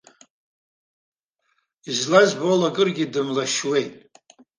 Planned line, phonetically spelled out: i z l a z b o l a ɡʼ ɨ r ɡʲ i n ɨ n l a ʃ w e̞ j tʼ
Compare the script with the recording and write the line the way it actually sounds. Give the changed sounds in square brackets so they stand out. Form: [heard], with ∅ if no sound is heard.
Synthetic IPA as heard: i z l a z b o l a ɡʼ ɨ r ɡʲ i [d] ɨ [m] l a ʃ w e̞ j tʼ